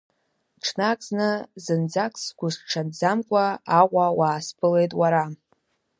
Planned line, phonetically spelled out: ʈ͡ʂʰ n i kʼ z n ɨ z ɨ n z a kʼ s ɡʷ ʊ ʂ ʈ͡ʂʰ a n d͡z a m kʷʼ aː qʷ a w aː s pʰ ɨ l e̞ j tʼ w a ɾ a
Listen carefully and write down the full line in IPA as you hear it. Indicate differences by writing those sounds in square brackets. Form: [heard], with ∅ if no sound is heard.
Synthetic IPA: ʈ͡ʂʰ n [a] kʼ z n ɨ z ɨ n [d͡z] a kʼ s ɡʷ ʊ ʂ ʈ͡ʂʰ a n d͡z a m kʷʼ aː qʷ a w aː s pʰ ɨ l e̞ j tʼ w a ɾ a